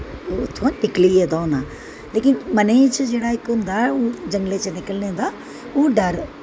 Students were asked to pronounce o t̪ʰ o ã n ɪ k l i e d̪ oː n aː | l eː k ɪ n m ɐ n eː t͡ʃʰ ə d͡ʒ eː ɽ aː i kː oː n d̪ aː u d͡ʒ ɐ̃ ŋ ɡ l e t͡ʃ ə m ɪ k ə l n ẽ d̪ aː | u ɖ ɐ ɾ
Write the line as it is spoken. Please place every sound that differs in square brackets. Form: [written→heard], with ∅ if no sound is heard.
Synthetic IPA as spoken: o t̪ʰ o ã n ɪ k l i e d̪ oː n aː | l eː k ɪ n m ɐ n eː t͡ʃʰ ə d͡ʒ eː ɽ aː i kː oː n d̪ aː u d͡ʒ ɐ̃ ŋ ɡ l e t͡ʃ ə [m→n] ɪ k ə l n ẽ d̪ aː | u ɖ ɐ ɾ